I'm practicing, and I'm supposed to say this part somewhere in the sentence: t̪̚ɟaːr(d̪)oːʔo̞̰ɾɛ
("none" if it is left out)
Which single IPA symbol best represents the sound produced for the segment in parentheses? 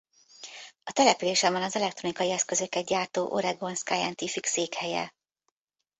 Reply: t̪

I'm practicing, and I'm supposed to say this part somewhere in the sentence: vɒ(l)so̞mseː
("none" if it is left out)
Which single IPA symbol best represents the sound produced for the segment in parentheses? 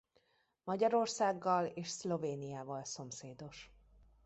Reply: l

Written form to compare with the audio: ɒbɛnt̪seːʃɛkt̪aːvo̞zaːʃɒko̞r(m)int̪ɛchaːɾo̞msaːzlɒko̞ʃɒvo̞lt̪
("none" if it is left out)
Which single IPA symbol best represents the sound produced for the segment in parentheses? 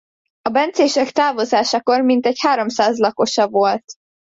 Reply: m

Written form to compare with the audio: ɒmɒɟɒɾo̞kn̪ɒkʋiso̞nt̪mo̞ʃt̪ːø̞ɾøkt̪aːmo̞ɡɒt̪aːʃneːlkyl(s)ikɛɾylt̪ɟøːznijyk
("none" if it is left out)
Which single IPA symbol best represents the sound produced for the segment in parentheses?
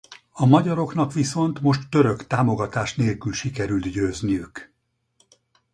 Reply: ʃ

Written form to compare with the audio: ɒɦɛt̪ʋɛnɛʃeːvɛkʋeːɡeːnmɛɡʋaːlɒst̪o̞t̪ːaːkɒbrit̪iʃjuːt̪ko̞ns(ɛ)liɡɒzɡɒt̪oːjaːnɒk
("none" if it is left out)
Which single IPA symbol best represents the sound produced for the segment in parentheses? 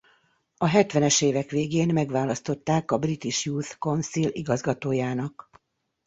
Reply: i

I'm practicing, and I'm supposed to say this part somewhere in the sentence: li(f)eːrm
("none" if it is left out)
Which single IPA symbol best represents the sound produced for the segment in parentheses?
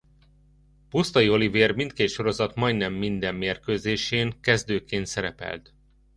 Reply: v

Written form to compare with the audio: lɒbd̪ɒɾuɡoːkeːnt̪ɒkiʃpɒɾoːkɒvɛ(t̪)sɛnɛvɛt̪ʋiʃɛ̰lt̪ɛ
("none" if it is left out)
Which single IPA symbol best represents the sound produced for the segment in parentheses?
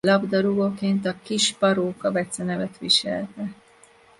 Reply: t̪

